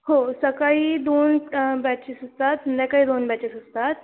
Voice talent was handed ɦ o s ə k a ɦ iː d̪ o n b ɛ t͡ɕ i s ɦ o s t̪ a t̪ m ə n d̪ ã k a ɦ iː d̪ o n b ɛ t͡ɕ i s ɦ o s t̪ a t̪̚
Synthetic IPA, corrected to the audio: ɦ o s ə k a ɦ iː d̪ o n b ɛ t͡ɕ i s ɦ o s t̪ a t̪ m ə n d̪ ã k a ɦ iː d̪ o n b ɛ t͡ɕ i s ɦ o s t̪ a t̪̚